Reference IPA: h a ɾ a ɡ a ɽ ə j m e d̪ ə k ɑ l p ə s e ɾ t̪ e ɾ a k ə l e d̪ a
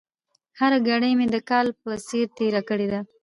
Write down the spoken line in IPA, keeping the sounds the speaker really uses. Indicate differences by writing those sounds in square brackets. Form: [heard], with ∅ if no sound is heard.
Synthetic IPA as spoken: h a ɾ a ɡ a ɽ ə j m e d̪ ə k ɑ l p ə s e ɾ t̪ e ɾ a k ə [ɽ] e d̪ a